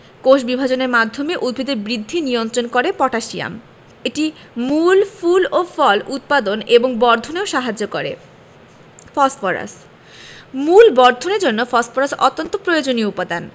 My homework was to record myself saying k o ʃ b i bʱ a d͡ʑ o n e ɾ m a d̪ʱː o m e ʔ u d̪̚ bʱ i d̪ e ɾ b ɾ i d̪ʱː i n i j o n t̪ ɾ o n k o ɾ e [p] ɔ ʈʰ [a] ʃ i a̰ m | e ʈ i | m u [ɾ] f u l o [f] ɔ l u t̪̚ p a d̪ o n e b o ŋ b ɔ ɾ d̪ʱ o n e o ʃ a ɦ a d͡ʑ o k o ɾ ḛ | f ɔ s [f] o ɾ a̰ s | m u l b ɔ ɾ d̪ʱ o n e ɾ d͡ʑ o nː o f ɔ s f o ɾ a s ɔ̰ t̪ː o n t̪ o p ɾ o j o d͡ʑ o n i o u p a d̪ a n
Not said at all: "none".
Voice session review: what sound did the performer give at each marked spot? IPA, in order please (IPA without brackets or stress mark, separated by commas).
p, a, l, f, f